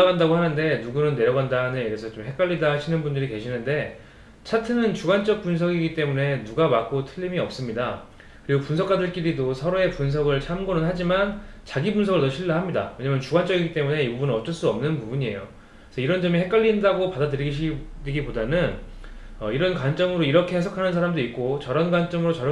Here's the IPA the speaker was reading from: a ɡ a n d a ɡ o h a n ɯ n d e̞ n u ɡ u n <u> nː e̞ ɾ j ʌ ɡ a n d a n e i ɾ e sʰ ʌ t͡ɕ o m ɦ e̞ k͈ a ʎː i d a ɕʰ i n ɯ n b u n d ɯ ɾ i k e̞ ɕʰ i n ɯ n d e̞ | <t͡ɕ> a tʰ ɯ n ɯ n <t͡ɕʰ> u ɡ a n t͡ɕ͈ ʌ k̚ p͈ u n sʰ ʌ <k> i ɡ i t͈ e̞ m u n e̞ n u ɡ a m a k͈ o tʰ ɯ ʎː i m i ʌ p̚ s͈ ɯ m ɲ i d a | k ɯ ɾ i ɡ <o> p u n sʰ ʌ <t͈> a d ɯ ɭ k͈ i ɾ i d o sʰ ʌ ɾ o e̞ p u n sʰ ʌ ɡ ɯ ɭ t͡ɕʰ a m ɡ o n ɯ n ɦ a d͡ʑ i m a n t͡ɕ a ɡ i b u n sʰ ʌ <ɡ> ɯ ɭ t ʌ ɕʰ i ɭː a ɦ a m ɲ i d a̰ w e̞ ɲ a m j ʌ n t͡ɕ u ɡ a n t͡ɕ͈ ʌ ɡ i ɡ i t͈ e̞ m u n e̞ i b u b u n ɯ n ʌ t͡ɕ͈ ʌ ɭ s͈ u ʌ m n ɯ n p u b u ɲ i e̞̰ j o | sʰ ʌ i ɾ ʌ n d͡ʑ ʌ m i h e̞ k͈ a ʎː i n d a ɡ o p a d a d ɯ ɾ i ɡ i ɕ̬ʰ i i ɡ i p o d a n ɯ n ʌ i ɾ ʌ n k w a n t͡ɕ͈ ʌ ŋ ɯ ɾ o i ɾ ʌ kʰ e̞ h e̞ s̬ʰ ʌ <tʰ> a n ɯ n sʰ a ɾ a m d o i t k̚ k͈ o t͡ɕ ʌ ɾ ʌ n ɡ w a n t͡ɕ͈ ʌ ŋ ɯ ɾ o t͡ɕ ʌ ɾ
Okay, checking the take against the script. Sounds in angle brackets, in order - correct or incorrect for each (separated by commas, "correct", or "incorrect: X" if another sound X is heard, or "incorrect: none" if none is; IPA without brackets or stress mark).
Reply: incorrect: ɯ, incorrect: t͡ɕʰ, incorrect: t͡ɕ, incorrect: ɡ, correct, incorrect: k͈, correct, incorrect: kʰ